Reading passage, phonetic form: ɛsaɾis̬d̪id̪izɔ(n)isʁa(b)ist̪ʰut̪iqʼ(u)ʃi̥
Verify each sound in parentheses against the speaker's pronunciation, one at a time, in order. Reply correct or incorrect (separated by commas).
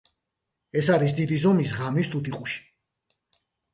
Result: incorrect, incorrect, correct